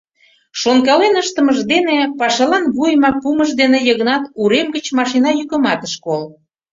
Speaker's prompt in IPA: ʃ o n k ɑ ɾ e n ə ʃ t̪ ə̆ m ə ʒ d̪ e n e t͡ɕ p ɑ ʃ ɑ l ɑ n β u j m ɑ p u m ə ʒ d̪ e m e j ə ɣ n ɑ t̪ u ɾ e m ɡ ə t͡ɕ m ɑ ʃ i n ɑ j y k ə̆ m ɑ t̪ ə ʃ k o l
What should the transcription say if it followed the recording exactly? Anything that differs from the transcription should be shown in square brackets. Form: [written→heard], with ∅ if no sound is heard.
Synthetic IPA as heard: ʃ o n k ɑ [ɾ→l] e n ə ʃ t̪ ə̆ m ə ʒ d̪ e n e [t͡ɕ→∅] p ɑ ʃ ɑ l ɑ n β u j m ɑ p u m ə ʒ d̪ e [m→n] e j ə ɣ n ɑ t̪ u ɾ e m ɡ ə t͡ɕ m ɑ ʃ i n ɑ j y k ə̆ m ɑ t̪ ə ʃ k o l

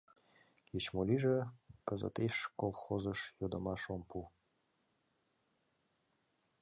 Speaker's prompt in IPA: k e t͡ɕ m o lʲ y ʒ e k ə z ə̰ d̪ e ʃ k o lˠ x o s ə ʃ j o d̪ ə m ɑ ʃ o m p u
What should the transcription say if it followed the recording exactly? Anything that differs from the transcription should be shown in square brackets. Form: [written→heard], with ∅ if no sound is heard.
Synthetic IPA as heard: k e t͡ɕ m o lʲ [y→i] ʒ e k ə z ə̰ [d̪→t̪] e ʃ k o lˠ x o [s→z] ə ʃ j o d̪ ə m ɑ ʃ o m p u

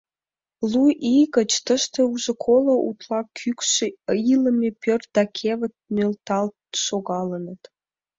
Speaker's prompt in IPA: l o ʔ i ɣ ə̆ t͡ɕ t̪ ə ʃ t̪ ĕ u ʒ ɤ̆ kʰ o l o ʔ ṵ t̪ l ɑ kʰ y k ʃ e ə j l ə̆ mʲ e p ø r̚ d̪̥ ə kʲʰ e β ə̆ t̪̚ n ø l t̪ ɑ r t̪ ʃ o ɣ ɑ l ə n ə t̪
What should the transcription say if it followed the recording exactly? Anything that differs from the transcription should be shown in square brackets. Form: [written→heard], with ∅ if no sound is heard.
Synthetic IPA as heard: l [o→u] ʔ i ɣ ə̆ t͡ɕ t̪ ə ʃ t̪ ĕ u ʒ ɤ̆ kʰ o l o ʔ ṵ t̪ l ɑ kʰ y k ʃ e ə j l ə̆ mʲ e p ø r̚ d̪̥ [ə→ɑ] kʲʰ e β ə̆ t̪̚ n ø l t̪ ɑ [r→l] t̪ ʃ o ɣ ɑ l ə n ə t̪

